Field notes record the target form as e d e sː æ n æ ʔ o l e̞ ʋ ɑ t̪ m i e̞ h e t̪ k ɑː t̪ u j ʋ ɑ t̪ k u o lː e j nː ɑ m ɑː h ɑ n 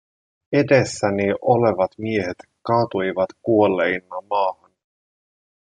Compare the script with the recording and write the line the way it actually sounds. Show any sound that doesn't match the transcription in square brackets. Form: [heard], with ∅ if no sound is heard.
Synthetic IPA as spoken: e d e sː æ n [i] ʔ o l e̞ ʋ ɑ t̪ m i e̞ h e t̪ k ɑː t̪ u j ʋ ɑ t̪ k u o lː e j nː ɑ m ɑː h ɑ n